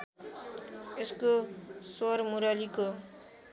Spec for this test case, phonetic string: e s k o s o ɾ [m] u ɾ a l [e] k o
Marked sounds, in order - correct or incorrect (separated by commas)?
correct, incorrect